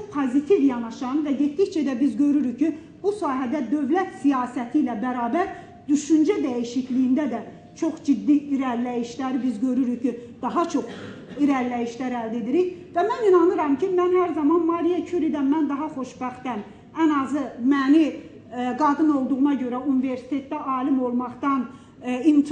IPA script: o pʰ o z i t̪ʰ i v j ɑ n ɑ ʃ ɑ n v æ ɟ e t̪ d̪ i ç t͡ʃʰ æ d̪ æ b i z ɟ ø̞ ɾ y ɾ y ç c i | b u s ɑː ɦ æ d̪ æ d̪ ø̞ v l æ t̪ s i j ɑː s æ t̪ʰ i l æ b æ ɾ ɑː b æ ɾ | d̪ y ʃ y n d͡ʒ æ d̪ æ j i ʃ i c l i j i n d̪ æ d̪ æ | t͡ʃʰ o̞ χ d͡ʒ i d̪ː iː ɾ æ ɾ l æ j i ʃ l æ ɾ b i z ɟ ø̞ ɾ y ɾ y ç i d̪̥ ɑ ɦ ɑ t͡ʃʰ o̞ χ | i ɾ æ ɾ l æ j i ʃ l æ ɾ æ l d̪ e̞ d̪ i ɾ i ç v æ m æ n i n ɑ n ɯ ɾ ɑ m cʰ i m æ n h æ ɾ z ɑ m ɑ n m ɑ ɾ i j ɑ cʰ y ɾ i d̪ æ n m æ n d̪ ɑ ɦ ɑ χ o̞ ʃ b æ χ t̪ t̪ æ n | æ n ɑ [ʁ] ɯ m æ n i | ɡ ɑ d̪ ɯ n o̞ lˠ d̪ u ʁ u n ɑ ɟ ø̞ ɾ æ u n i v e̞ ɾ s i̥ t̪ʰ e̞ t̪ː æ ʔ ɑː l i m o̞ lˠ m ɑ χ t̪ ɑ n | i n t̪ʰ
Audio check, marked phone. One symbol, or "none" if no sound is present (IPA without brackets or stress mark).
z